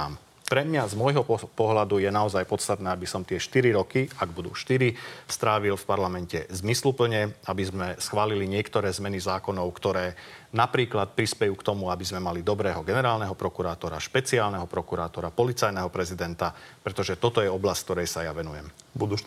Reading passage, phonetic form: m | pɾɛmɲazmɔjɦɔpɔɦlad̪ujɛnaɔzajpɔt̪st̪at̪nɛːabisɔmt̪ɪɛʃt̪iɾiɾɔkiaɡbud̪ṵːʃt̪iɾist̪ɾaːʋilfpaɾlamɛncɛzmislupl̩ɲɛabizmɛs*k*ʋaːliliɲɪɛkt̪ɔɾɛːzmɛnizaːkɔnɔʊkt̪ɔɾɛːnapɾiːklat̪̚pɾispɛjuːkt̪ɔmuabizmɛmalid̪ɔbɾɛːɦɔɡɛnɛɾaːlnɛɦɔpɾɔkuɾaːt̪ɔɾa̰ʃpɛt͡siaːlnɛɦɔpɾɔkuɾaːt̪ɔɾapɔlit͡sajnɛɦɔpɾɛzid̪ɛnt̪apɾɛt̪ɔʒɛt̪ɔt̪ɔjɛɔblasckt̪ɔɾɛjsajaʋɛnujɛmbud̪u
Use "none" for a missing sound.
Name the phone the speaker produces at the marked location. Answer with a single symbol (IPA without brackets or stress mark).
x